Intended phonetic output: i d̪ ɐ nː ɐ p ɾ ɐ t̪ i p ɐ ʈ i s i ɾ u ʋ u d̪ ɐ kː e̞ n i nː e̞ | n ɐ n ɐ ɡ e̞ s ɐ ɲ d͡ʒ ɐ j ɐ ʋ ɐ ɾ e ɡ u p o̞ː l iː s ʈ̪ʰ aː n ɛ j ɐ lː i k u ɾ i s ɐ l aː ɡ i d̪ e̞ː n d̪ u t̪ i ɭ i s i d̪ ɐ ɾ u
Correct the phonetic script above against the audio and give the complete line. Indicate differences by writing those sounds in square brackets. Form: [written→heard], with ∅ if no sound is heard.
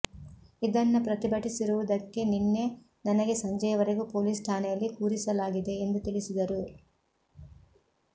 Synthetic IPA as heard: i d̪ ɐ nː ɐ p ɾ ɐ t̪ i [p→b] ɐ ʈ i s i ɾ u ʋ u d̪ ɐ kː e̞ n i nː e̞ | n ɐ n ɐ ɡ e̞ s ɐ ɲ d͡ʒ ɐ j ɐ ʋ ɐ ɾ e ɡ u p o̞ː l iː s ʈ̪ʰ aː n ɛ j ɐ lː i k [u→uː] ɾ i s ɐ l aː ɡ i d̪ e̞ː n d̪ u t̪ i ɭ i s i d̪ ɐ ɾ u